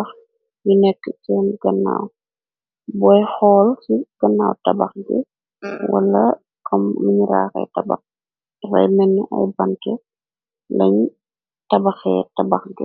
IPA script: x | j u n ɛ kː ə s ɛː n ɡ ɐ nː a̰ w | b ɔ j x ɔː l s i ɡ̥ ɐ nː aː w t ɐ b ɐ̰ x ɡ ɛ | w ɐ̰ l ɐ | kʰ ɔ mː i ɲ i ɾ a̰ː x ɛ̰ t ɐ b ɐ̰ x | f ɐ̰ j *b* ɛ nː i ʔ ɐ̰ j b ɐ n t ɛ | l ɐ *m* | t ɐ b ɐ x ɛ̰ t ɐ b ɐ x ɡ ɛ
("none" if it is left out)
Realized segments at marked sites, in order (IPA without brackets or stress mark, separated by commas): m, ɲ